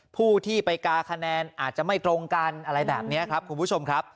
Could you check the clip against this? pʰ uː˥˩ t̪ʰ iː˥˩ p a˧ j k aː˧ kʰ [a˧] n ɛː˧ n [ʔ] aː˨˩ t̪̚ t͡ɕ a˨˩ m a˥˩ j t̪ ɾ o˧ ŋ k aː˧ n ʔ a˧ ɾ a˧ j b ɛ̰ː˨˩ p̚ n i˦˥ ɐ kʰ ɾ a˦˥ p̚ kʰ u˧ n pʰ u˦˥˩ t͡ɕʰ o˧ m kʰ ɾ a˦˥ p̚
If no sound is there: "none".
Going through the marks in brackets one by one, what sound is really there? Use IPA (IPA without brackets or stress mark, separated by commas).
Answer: a˧, ʔ